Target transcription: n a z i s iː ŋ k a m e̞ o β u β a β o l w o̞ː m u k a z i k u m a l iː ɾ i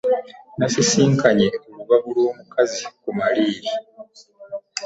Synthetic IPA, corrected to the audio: n a s i s iː ŋ k a ɲ e̞ o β u β a β u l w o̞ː m u k a z i k u m a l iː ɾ i